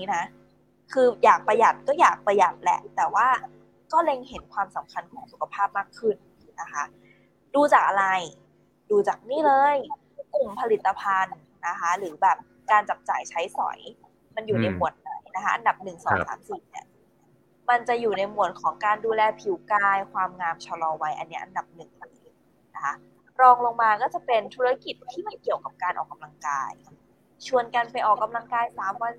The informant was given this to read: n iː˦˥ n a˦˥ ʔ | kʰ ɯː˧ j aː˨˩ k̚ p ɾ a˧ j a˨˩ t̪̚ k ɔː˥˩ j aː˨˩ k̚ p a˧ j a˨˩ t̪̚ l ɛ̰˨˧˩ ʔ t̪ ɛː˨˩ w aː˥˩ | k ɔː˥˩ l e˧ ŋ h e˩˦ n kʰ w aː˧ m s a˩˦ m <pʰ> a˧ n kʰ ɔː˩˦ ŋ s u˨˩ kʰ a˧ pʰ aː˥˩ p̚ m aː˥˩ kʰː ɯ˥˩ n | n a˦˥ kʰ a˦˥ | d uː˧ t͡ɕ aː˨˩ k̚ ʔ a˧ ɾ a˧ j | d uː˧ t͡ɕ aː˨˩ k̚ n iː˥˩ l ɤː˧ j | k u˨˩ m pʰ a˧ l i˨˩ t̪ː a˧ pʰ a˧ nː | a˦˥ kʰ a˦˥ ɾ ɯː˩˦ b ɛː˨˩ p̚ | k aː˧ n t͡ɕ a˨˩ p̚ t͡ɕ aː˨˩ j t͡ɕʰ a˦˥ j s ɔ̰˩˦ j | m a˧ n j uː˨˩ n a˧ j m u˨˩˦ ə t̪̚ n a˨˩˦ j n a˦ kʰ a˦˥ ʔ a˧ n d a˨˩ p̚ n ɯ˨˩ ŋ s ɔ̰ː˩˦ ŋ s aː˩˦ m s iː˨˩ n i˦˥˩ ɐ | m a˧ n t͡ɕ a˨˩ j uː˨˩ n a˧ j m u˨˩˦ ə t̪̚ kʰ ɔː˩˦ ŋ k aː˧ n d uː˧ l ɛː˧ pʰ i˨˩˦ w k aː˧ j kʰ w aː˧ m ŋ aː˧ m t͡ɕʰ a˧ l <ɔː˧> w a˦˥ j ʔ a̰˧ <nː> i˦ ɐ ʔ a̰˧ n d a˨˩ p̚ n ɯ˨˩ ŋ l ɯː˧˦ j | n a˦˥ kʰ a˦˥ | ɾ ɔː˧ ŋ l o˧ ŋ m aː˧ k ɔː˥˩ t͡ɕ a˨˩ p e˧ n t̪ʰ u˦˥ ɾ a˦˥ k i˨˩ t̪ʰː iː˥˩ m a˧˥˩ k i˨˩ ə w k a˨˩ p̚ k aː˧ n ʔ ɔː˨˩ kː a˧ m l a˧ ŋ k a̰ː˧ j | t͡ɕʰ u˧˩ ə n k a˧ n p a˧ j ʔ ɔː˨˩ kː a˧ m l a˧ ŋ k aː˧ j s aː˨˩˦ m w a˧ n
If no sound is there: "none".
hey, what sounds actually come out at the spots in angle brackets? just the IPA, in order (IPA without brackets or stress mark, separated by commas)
kʰ, ɔː˧, nː